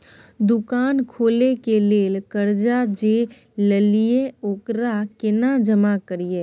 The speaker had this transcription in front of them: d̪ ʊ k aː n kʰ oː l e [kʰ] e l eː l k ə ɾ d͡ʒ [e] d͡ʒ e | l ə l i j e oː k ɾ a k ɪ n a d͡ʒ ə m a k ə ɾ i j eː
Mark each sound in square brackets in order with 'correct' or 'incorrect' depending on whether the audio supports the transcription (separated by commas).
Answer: incorrect, incorrect